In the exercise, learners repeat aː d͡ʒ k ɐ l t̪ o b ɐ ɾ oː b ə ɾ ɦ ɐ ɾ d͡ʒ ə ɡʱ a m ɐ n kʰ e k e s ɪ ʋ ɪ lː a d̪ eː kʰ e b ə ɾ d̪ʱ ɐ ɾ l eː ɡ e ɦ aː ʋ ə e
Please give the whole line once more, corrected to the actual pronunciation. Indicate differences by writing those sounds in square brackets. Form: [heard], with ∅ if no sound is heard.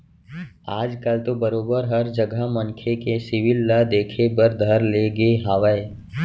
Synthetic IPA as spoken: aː d͡ʒ k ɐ l t̪ o b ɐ ɾ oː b ə ɾ ɦ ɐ ɾ d͡ʒ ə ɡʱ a m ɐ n kʰ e k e s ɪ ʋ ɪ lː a d̪ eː kʰ e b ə ɾ d̪ʱ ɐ ɾ l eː ɡ e ɦ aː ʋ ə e